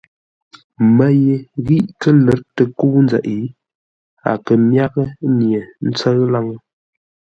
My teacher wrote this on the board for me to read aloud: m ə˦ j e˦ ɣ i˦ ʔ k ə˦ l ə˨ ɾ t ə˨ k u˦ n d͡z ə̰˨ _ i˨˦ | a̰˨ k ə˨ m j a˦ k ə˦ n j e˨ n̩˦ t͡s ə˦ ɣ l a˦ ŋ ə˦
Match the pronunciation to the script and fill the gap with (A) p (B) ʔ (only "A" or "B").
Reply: B